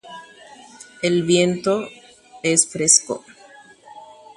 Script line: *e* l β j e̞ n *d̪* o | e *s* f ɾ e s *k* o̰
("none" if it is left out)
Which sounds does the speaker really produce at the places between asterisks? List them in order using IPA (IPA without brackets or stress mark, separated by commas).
e, t̪, s, k